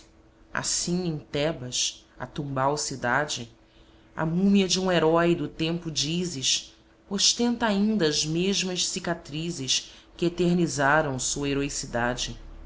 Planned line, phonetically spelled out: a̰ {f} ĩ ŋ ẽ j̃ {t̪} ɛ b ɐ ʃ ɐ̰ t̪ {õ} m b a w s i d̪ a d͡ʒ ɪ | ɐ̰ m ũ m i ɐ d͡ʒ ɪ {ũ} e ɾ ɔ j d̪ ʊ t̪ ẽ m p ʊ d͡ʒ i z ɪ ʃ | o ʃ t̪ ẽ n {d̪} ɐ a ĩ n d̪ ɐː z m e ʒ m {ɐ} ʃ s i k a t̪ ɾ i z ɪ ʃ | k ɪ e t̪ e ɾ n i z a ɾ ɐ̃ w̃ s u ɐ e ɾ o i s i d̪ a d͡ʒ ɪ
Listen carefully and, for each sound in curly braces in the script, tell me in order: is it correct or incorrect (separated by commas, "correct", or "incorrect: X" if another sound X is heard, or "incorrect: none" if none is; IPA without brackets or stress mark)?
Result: incorrect: s, correct, incorrect: ũ, correct, incorrect: t̪, correct